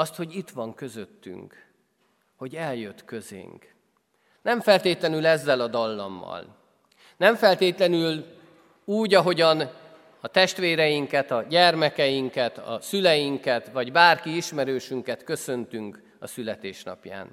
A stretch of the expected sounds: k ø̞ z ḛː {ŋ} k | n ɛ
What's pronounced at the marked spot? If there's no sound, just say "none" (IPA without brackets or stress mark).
ŋ